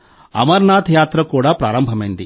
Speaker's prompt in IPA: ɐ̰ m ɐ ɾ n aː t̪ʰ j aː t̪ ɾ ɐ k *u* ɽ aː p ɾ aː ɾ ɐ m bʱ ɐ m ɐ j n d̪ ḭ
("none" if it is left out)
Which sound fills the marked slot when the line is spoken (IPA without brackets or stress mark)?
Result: uː